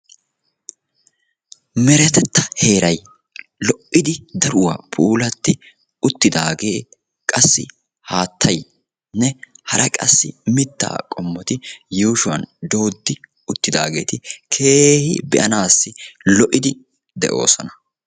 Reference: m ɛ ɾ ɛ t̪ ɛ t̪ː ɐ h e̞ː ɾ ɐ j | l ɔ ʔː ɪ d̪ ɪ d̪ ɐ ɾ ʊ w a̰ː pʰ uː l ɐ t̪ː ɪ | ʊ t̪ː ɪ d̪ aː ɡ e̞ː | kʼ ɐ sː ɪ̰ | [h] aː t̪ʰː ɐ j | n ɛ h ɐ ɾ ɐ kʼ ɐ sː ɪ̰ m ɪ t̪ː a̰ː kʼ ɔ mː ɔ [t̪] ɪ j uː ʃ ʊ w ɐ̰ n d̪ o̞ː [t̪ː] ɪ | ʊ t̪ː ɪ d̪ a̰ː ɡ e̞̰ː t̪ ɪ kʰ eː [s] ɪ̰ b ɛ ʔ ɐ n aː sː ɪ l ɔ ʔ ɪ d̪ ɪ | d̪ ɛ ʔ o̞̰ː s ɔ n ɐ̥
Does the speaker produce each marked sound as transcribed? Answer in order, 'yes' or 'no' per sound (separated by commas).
yes, yes, no, no